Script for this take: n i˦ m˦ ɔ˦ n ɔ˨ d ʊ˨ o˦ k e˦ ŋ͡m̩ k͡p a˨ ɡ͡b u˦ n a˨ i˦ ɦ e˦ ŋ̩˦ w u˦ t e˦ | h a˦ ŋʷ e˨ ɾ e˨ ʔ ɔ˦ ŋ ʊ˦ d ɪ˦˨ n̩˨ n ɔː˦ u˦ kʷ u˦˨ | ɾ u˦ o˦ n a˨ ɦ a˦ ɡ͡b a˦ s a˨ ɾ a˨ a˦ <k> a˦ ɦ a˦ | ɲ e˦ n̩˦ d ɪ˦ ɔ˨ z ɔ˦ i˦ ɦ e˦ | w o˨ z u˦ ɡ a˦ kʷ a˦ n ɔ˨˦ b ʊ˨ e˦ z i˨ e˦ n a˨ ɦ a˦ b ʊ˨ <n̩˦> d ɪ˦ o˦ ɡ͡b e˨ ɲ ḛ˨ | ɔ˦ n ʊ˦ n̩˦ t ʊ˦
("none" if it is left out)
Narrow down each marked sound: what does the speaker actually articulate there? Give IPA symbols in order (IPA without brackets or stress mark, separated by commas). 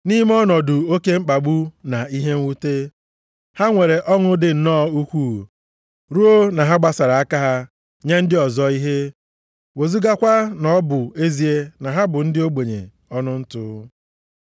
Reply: k, n̩˦